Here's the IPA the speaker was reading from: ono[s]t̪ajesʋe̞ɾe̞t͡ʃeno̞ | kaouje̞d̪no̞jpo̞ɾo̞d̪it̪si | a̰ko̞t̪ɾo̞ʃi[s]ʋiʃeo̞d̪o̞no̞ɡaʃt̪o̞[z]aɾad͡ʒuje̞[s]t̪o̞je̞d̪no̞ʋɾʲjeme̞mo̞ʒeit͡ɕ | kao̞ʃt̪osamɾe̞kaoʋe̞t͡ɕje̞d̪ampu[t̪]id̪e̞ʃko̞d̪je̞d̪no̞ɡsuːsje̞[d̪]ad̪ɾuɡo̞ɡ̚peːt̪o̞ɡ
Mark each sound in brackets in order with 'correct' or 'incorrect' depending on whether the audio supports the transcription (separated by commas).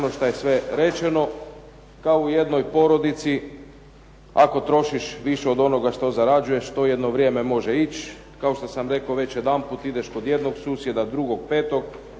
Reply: incorrect, incorrect, correct, incorrect, correct, correct